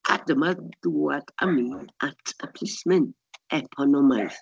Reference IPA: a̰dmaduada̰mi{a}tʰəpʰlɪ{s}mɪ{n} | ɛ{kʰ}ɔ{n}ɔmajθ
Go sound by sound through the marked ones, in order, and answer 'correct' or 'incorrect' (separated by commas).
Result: correct, correct, correct, incorrect, correct